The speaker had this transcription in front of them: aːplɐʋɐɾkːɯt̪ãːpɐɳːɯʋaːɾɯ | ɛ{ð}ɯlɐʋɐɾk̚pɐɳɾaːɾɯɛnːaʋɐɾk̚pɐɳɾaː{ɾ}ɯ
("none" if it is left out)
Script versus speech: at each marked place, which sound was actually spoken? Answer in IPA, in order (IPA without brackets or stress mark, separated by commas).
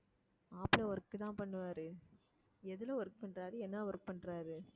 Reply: ð, ɾ